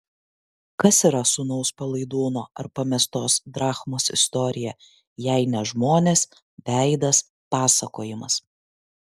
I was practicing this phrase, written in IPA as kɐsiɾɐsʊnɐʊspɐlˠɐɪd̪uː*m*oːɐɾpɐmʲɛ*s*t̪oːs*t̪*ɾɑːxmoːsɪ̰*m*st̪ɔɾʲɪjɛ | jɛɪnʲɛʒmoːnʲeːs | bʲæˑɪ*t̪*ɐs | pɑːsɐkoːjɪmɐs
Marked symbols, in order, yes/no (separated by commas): no, yes, no, no, no